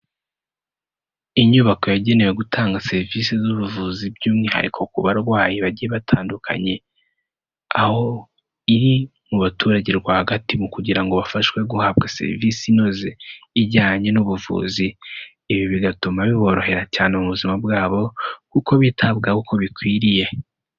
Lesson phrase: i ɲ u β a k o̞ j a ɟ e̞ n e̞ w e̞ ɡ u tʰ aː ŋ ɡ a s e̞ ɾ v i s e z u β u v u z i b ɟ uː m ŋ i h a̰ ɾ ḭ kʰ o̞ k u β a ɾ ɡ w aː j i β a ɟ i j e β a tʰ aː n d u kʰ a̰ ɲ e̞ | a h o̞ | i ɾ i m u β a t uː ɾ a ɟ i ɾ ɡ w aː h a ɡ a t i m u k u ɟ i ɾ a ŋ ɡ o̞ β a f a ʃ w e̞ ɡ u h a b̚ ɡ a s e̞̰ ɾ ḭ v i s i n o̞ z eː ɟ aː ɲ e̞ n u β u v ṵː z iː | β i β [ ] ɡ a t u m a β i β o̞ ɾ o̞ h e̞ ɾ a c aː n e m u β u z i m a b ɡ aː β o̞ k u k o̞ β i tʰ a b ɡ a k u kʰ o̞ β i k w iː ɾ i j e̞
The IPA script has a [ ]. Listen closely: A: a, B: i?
B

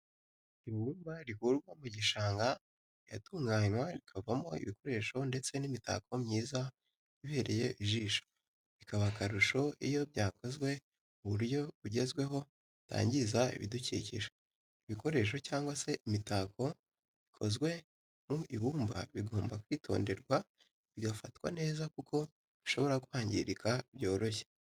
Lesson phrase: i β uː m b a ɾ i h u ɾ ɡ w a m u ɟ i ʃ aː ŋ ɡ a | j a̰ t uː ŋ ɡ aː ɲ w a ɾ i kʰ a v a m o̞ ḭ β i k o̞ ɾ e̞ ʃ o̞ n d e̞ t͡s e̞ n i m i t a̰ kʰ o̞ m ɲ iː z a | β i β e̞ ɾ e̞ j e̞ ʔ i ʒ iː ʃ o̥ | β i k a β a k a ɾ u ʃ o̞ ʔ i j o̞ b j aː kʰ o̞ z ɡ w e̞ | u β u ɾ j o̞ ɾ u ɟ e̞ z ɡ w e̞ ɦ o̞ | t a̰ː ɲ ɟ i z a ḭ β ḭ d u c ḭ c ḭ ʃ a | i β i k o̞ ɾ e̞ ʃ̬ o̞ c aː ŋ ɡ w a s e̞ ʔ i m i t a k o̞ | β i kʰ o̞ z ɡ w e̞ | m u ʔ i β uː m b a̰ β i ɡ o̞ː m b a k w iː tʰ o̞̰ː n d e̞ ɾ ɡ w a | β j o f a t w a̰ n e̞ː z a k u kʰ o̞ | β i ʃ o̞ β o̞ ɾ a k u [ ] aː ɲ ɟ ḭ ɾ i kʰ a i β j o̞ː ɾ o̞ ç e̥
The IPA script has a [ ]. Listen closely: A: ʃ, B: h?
B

